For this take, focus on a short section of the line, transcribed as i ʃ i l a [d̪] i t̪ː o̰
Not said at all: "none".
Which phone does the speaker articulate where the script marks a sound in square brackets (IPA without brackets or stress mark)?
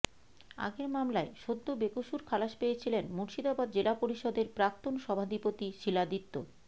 d̪